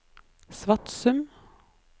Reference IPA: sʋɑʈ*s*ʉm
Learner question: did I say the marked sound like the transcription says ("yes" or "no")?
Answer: yes